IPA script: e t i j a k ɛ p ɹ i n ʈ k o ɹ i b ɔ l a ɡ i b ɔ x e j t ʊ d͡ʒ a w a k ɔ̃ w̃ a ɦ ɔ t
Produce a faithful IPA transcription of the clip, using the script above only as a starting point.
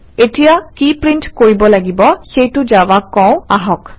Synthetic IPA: e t i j a k i p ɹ i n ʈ k o ɹ i b ɔ l a ɡ i b ɔ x e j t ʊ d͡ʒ a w a k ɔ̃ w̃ a ɦ ɔ k